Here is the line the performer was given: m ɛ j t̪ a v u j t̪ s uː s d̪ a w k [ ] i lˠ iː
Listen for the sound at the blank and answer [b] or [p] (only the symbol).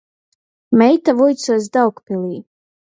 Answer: p